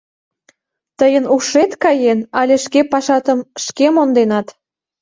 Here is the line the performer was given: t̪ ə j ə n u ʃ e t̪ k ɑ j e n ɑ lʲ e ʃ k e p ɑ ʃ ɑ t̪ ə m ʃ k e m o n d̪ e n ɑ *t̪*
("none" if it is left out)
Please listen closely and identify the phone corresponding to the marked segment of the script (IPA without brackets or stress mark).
t̪